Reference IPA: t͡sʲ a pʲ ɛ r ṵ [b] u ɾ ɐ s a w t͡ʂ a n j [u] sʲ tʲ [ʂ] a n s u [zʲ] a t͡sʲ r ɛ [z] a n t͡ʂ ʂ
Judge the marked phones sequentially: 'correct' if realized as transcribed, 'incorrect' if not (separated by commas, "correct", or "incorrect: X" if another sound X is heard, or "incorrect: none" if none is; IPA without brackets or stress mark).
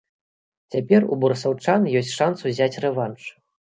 correct, incorrect: ɔ, correct, correct, incorrect: v